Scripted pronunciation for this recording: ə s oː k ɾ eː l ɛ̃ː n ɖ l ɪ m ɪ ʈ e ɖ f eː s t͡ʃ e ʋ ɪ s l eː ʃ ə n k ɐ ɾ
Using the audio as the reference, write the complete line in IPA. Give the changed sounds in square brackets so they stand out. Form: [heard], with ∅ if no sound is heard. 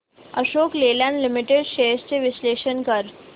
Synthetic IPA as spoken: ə [ʃ] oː k [l] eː l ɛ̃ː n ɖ l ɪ m ɪ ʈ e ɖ [ʃ] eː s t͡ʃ e ʋ ɪ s l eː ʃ ə n k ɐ ɾ